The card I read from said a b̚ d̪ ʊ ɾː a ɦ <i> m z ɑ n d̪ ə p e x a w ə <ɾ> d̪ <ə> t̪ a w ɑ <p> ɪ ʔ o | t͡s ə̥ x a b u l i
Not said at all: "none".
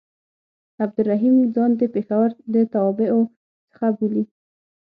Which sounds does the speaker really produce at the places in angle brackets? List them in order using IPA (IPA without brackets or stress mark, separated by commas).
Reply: i, ɾ, ə, b